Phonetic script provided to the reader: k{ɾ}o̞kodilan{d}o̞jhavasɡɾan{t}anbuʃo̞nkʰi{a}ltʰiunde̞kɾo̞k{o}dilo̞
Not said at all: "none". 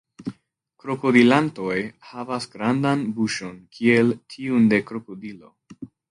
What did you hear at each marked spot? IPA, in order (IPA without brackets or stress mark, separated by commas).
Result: ɾ, t, d, e, o